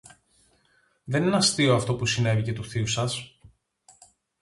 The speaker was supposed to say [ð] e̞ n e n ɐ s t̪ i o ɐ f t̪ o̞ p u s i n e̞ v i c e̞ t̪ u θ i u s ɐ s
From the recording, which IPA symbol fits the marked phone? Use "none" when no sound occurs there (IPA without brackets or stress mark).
ð